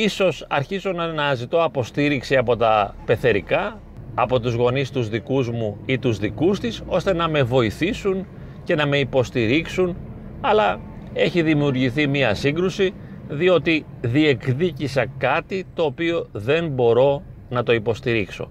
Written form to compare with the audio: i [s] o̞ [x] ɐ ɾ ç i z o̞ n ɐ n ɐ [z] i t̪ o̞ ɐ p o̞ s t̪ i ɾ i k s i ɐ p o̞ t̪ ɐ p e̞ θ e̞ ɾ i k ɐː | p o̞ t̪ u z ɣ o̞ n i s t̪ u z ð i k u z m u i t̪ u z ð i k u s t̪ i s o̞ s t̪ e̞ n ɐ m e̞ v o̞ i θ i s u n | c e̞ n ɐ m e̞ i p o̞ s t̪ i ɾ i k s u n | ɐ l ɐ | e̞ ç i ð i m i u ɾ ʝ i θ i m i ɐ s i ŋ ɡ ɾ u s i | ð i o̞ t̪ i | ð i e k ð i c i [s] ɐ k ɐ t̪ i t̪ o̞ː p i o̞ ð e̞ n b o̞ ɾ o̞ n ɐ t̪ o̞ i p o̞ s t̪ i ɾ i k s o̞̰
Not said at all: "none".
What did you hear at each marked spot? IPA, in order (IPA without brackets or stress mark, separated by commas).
s, s, z, s